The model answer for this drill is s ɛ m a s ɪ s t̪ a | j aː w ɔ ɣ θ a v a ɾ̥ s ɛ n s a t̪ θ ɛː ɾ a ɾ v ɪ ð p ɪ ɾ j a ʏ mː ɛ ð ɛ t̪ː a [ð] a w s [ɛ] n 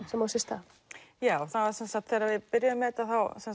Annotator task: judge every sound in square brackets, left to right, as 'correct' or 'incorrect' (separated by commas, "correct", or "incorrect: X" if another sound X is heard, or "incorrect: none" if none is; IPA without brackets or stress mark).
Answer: incorrect: θ, correct